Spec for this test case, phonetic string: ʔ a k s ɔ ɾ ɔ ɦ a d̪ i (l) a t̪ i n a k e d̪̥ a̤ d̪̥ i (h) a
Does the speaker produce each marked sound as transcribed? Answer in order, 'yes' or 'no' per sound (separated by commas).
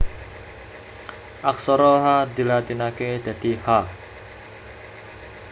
yes, yes